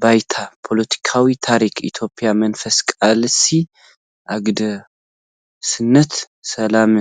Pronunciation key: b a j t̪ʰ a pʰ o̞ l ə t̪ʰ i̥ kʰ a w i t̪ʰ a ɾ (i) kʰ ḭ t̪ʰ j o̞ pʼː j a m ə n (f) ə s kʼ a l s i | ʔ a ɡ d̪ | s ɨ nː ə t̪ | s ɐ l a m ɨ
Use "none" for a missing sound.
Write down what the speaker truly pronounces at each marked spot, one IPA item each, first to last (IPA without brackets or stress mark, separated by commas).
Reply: i, f